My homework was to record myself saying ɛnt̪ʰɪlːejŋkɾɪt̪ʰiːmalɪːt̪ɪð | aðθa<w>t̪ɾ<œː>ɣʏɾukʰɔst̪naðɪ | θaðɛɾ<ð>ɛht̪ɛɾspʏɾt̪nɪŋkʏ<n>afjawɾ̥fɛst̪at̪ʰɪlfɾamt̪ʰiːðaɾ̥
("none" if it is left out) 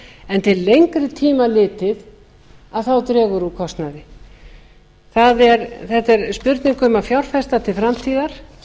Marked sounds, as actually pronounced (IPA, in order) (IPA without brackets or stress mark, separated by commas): w, ɛː, θ, m